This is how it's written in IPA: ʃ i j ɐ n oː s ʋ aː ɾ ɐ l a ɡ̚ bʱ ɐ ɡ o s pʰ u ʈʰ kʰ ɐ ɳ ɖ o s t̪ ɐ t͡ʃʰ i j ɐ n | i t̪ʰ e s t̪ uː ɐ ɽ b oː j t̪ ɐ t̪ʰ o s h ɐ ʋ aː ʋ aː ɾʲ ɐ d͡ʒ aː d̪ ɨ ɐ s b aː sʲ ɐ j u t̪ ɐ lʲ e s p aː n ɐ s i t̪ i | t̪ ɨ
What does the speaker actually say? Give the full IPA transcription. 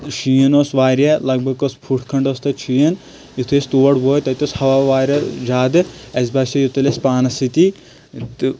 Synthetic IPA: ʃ i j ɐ n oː s ʋ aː ɾ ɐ l ɐ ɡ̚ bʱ ɐ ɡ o s pʰ u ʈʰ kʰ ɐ ɳ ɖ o s t̪ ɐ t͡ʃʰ i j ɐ n | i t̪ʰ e s t̪ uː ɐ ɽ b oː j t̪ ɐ t̪ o s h ɐ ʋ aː ʋ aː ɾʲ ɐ d͡ʒ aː d̪ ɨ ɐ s b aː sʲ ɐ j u t̪ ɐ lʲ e s p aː n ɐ s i t̪ i | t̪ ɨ

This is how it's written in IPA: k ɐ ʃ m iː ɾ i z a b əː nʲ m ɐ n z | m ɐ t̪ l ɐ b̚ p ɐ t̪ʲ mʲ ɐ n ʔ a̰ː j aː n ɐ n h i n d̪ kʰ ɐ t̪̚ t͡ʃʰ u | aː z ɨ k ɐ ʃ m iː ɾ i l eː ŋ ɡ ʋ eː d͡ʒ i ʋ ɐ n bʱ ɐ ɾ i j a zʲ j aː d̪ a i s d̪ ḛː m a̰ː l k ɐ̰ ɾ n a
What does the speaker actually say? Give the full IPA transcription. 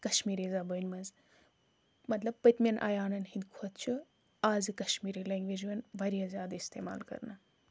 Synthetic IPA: k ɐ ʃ m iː ɾ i z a b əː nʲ m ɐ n z | m ɐ t̪ l ɐ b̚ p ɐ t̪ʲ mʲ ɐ n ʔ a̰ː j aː n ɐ n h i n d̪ kʰ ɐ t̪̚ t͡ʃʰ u | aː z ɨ k ɐ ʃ m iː ɾ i l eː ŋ ɡ ʋ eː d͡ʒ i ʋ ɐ n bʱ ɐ ɾ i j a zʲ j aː d̪ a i s t̪ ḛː m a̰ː l k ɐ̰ ɾ n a

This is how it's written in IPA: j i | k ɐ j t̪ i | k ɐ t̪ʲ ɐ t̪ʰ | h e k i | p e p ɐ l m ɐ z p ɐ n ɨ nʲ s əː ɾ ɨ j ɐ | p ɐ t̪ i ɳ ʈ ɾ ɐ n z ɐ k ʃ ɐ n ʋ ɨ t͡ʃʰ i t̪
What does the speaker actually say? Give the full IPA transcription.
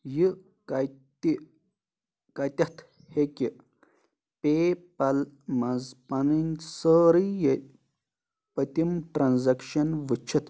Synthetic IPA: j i | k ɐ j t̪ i | k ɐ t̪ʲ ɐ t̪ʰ | h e k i | p e p ɐ l m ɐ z p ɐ n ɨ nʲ s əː ɾ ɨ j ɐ | p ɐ t̪ i m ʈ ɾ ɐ n z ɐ k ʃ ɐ n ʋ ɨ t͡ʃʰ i t̪

